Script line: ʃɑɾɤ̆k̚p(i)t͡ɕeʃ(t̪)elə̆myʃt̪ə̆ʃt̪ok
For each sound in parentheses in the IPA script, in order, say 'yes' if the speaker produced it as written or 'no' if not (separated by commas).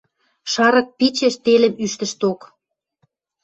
yes, yes